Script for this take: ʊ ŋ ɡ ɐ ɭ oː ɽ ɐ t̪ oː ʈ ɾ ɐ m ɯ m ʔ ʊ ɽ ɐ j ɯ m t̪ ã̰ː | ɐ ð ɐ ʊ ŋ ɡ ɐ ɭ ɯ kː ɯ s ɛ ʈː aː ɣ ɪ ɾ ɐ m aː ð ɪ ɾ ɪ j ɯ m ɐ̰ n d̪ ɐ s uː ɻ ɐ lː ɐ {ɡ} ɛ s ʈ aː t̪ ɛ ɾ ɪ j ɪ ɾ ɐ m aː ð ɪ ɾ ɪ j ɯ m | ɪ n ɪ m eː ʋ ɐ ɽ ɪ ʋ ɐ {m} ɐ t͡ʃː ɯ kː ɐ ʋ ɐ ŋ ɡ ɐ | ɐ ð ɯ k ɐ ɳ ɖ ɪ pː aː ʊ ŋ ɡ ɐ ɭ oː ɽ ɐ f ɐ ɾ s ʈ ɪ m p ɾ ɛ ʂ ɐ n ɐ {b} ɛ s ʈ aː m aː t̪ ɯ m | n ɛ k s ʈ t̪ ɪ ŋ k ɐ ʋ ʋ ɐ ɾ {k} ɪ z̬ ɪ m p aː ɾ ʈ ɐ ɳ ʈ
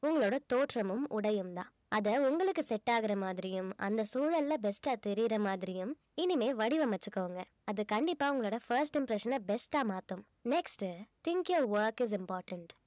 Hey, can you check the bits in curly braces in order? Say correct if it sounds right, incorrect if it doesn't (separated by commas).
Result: incorrect, correct, correct, correct